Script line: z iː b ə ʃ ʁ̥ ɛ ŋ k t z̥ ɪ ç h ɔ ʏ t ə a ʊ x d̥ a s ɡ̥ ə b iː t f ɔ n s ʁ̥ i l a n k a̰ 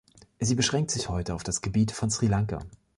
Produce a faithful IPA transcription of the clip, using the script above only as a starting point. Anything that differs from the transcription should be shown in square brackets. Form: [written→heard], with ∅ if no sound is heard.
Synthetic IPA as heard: z iː b ə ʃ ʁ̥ ɛ ŋ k t z̥ ɪ ç h ɔ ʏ t ə a ʊ [x→f] d̥ a s ɡ̥ ə b iː t f ɔ n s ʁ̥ i l a [n→ŋ] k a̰